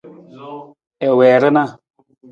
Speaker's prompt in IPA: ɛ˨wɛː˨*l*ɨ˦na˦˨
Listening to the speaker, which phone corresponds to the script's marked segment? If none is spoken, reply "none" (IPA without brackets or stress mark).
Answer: ɾ